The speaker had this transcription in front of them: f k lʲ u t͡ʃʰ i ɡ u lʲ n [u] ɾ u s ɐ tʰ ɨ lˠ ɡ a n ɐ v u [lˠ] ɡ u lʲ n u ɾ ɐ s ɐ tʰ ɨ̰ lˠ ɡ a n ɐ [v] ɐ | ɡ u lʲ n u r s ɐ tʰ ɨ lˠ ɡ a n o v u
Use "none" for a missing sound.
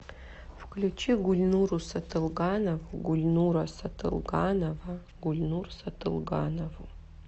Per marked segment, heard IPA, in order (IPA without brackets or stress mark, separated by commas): u, none, v